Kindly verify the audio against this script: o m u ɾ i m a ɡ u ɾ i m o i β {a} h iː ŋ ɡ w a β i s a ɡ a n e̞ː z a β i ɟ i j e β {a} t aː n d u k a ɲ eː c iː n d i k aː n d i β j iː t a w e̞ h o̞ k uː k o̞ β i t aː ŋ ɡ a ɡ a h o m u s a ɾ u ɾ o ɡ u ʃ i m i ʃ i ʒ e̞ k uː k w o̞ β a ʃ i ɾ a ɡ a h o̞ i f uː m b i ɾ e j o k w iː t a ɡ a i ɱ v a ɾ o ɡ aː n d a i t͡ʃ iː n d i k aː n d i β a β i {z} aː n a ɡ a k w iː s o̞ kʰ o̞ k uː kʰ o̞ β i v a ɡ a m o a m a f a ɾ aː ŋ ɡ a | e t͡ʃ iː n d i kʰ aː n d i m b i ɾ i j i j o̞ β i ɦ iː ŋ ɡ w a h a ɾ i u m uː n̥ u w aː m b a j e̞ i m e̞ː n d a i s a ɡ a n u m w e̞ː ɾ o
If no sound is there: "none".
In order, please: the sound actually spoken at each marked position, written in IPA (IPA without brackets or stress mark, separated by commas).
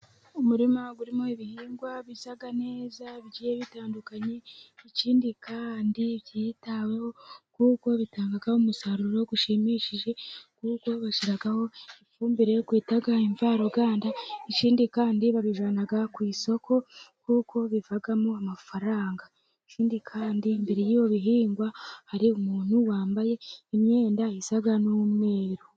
i, i, ʒ